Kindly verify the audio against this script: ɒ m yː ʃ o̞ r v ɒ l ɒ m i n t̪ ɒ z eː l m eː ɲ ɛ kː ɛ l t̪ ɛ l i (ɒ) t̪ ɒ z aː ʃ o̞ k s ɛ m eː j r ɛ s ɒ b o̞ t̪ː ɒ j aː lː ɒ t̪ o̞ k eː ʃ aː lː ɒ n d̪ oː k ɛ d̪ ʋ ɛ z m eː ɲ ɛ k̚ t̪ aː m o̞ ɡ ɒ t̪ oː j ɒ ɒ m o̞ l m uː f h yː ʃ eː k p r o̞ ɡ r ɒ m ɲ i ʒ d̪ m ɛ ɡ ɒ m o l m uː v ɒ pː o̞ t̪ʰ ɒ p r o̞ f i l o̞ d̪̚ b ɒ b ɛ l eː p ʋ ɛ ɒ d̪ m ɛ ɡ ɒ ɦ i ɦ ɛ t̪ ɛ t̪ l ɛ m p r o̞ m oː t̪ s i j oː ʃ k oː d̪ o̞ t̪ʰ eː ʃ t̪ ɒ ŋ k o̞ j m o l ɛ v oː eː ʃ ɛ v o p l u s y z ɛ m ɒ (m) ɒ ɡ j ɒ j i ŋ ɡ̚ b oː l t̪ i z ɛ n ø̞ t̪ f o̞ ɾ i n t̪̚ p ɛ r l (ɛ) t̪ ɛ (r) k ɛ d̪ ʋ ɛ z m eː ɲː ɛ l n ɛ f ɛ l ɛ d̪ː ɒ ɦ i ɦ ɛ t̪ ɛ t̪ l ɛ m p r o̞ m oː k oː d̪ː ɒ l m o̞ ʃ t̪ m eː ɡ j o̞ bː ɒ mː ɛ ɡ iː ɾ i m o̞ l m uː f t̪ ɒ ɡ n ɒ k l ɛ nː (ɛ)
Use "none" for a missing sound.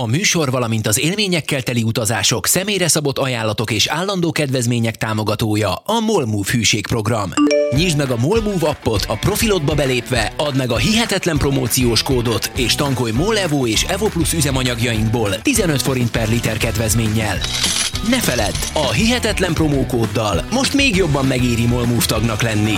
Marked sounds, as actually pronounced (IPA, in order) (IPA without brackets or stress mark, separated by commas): u, ɲ, i, r, i